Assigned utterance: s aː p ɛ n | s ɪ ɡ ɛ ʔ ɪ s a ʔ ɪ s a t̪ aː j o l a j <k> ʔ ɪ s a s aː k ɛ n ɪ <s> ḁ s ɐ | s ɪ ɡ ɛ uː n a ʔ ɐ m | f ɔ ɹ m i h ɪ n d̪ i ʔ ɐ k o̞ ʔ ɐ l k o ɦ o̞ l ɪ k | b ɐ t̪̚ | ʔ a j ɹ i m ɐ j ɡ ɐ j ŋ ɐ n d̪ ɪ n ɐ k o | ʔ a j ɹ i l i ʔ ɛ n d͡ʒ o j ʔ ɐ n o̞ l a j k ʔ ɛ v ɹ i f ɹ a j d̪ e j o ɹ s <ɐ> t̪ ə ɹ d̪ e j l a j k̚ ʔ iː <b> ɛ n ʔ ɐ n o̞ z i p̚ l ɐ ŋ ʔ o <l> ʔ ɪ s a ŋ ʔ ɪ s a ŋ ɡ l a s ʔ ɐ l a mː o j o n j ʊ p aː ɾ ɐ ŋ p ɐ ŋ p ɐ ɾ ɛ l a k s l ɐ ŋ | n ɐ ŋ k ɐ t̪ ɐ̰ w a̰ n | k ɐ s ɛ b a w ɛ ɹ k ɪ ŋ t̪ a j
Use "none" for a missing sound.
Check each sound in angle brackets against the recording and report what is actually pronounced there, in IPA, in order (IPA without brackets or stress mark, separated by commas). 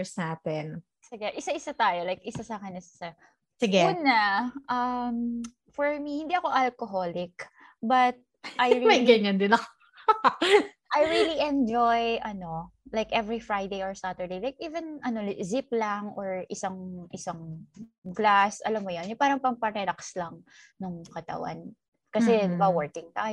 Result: k, s, a, v, ɹ